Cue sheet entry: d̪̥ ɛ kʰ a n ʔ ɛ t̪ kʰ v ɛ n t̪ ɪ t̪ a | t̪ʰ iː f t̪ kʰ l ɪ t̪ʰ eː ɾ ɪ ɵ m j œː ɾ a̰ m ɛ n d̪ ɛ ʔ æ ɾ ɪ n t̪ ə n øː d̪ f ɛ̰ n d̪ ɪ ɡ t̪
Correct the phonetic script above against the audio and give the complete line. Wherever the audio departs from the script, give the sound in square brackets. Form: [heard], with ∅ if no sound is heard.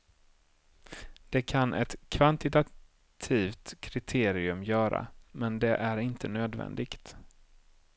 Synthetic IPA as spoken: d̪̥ ɛ kʰ a n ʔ ɛ t̪ kʰ v [a] n t̪ ɪ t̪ a | t̪ʰ iː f t̪ kʰ [ɾ] ɪ t̪ʰ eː ɾ ɪ ɵ m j œː ɾ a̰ m ɛ n d̪ ɛ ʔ æ ɾ ɪ n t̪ ə n øː d̪ [v] ɛ̰ n d̪ ɪ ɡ t̪